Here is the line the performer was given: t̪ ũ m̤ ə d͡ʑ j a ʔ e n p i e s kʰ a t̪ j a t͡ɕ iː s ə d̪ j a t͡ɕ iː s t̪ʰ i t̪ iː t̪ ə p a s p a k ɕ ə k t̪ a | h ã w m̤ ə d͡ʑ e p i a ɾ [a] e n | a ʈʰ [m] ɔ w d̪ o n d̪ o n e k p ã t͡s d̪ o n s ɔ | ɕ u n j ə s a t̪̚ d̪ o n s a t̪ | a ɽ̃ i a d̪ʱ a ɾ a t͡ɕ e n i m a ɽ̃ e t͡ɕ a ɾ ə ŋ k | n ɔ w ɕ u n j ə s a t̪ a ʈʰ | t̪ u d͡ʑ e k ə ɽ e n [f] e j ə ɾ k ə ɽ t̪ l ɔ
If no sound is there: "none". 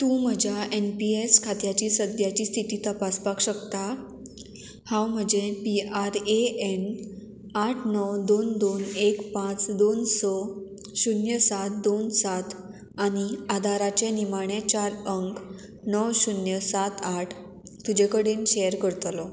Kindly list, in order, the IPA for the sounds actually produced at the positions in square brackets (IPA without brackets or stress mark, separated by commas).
e, n, ɕ